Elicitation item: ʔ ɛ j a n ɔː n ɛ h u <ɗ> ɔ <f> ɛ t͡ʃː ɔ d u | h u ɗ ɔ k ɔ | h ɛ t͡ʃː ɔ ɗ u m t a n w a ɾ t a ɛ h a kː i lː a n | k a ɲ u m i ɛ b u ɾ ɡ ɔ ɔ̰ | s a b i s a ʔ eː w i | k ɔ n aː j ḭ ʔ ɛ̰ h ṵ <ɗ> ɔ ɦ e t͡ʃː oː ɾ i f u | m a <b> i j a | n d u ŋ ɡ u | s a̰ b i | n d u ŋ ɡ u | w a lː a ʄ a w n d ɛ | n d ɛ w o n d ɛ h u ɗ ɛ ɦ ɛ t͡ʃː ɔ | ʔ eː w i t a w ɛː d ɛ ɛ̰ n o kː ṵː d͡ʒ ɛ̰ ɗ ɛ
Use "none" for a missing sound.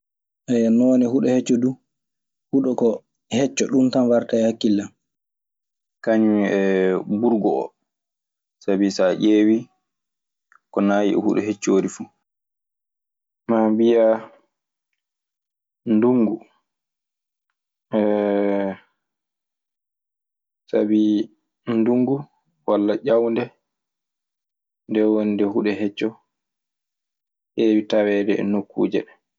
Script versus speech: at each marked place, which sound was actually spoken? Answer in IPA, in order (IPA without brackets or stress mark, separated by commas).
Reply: ɗ, h, ɗ, b